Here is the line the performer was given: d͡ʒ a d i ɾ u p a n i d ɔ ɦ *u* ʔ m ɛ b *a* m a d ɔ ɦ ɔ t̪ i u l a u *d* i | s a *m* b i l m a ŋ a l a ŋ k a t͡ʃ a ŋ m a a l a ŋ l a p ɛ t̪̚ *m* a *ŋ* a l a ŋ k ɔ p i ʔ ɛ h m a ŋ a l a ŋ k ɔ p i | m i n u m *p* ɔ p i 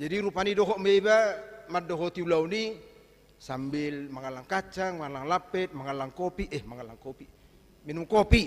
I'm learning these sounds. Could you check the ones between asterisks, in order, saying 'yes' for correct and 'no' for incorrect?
no, yes, no, yes, yes, yes, no

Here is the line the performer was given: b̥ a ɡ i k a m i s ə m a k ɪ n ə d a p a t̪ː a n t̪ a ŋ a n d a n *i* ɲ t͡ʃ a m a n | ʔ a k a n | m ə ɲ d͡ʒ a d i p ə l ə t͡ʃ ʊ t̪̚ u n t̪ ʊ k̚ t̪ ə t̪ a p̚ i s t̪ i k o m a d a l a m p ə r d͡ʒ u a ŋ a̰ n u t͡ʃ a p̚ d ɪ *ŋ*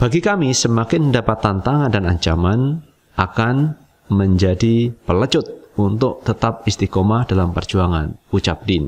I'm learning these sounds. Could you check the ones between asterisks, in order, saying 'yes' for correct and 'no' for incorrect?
no, no

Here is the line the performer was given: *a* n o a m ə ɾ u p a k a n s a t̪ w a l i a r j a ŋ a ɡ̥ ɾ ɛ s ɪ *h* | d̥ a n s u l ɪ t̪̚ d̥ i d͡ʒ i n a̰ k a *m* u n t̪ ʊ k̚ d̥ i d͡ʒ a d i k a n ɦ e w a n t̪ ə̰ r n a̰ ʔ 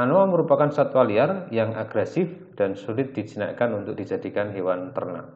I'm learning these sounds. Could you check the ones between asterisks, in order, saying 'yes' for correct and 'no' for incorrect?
yes, no, no

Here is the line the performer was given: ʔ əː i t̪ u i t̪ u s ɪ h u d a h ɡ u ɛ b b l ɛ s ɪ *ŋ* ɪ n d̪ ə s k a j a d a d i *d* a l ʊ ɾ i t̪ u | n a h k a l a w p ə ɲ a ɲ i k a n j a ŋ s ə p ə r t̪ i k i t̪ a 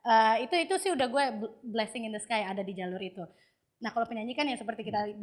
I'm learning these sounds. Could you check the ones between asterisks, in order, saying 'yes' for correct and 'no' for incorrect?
yes, no

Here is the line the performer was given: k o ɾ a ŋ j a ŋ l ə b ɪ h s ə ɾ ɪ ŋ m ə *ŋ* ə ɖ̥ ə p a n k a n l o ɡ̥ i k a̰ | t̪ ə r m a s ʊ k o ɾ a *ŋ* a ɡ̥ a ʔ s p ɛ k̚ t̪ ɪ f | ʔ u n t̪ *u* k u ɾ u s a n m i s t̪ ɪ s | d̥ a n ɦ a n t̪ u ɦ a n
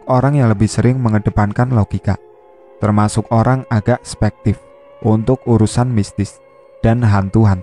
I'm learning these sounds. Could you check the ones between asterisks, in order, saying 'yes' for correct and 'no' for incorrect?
yes, yes, no

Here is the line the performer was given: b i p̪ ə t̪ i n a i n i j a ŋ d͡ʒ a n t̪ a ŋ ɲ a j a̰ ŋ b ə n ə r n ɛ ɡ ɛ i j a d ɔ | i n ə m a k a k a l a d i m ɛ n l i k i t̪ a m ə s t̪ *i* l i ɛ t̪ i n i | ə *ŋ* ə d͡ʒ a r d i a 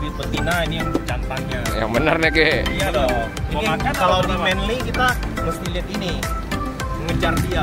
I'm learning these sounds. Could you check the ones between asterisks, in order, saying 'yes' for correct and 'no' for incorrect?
yes, yes

